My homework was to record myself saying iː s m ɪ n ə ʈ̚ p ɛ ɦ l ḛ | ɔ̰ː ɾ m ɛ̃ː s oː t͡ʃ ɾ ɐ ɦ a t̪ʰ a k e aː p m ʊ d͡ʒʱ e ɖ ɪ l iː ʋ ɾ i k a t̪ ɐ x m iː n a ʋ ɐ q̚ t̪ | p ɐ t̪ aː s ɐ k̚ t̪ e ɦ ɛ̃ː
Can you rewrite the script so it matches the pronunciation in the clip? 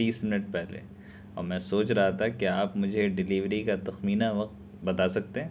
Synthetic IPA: iː s m ɪ n ə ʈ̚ p ɛ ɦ l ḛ | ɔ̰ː ɾ m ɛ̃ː s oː t͡ʃ ɾ ɐ ɦ a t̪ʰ a k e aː p m ʊ d͡ʒʱ e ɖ ɪ l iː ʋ ɾ i k a t̪ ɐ x m iː n a ʋ ɐ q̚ t̪ | b ɐ t̪ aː s ɐ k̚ t̪ e ɦ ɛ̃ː